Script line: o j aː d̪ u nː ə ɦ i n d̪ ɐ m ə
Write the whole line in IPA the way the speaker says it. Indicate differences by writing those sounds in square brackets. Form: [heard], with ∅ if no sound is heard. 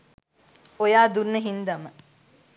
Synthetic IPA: o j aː d̪ u nː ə ɦ i n d̪ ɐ m ə